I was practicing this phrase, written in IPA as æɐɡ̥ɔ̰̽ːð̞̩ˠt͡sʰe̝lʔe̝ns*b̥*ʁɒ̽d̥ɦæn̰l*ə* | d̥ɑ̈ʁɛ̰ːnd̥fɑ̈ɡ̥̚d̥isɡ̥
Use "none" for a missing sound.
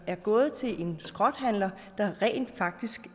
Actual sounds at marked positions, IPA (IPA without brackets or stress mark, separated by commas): ɡ̥, ɐ